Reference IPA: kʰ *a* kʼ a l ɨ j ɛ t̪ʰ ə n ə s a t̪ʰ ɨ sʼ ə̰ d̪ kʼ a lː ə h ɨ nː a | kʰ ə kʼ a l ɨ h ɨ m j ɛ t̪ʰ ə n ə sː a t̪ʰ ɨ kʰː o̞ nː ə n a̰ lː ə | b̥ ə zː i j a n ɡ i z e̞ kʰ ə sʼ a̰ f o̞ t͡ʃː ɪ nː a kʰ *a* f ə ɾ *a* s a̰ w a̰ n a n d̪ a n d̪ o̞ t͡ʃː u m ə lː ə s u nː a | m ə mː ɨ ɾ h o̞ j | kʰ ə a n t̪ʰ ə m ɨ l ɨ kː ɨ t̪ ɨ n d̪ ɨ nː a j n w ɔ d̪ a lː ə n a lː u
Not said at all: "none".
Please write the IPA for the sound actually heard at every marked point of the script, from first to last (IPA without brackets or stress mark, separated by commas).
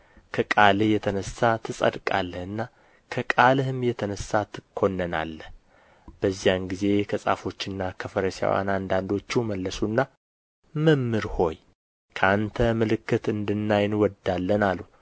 ə, ə, ə